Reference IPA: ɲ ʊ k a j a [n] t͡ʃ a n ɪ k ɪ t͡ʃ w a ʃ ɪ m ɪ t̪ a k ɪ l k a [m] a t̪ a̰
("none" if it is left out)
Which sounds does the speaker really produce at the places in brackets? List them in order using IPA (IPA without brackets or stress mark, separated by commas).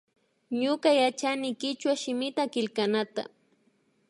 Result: none, n